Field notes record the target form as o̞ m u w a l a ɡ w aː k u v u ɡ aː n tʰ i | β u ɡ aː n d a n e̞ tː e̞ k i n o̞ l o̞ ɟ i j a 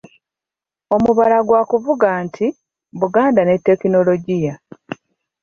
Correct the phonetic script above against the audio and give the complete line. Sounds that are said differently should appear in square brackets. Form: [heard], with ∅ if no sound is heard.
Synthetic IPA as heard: o̞ m u [β] a l a ɡ w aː k u v u ɡ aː n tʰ i | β u ɡ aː n d a n e̞ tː e̞ k i n o̞ l o̞ ɟ i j a